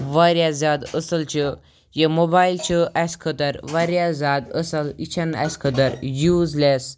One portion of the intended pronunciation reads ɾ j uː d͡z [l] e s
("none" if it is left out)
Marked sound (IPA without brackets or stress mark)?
l